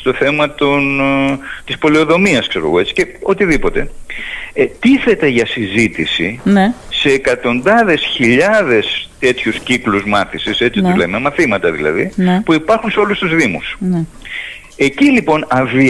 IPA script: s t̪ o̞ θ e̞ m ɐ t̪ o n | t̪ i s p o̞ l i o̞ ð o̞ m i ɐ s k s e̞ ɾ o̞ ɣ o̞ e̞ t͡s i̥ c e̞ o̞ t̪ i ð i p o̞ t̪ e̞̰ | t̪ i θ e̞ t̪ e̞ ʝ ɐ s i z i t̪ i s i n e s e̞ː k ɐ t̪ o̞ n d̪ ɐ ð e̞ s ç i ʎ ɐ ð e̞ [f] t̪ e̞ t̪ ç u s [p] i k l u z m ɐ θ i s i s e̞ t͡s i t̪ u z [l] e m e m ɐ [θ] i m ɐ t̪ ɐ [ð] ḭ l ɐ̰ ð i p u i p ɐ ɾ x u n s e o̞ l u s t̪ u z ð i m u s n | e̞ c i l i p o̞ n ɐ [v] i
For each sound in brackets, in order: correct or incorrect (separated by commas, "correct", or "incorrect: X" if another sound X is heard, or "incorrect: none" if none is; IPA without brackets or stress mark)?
incorrect: s, incorrect: c, correct, correct, correct, correct